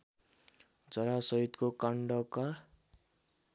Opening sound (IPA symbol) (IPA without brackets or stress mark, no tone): d͡z